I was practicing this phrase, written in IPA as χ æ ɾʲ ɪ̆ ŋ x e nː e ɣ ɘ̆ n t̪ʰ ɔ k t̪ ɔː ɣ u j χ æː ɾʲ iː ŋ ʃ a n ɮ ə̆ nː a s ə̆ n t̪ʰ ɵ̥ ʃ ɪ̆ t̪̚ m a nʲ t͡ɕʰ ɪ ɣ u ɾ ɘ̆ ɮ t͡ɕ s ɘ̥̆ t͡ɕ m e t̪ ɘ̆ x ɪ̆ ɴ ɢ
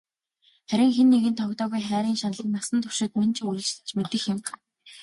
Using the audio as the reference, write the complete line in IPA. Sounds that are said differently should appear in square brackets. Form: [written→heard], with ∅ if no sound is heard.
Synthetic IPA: χ æ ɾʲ ɪ̆ ŋ x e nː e ɣ ɘ̆ n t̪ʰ ɔ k t̪ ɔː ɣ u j χ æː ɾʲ iː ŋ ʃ a n ɮ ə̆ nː a s ə̆ n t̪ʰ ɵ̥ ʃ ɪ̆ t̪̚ m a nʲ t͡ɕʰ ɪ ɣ u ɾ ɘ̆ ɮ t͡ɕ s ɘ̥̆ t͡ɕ m e t̪ ɘ̆ x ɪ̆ [ɴ→m] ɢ